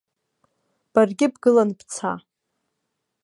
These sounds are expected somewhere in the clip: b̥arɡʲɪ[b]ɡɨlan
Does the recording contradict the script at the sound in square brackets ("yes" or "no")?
no